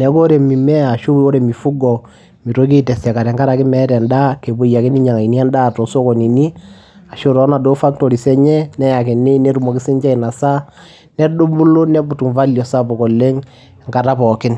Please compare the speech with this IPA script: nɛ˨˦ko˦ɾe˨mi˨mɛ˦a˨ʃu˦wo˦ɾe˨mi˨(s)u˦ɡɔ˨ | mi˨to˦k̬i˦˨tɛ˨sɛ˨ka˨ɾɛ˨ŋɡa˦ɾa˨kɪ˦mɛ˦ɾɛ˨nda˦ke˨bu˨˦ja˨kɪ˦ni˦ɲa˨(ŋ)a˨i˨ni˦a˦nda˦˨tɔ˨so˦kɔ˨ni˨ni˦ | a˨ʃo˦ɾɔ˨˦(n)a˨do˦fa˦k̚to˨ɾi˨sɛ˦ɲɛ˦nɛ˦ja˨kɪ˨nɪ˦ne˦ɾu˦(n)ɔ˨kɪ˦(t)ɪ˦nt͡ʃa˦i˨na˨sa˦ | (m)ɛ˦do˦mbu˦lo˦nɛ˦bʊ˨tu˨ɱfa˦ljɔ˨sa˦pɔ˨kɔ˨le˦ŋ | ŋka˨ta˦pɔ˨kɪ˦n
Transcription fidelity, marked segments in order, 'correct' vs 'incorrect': incorrect, correct, correct, incorrect, incorrect, incorrect

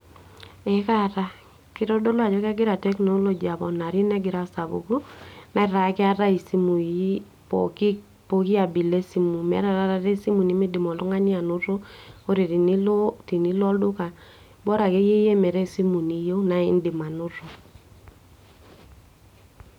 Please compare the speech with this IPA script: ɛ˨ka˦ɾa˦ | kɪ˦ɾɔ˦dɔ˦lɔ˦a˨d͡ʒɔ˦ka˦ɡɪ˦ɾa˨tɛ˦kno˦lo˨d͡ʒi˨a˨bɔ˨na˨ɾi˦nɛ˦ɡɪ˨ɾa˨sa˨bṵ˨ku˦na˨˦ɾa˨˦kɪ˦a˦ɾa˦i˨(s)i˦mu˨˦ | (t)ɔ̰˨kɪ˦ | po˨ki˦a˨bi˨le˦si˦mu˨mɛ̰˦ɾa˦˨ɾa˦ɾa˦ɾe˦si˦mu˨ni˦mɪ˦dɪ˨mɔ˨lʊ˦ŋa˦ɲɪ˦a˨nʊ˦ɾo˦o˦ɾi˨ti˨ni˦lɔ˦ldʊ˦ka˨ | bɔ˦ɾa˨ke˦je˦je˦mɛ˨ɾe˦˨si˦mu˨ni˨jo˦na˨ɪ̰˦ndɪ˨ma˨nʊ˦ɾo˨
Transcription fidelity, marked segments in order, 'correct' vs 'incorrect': correct, incorrect

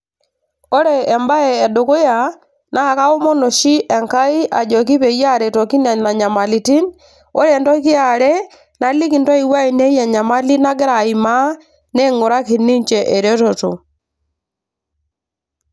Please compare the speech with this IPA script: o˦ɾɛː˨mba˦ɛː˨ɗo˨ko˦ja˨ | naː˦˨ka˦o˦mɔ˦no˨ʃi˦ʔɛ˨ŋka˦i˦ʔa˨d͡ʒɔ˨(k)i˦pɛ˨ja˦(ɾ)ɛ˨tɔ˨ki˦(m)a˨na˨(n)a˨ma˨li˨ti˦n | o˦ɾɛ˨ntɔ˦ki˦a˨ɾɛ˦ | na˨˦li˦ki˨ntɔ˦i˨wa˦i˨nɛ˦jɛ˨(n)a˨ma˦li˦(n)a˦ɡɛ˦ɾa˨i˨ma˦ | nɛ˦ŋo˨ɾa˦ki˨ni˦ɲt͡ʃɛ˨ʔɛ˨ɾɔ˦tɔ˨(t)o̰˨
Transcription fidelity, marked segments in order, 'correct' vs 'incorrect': correct, correct, incorrect, incorrect, incorrect, correct, correct

